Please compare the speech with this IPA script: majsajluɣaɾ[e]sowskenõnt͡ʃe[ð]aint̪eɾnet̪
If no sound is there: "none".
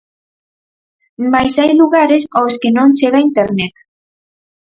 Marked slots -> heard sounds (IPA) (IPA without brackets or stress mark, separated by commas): e, ɣ